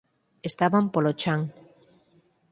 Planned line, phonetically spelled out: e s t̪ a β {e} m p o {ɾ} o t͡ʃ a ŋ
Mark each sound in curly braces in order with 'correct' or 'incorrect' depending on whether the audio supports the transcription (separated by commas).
incorrect, incorrect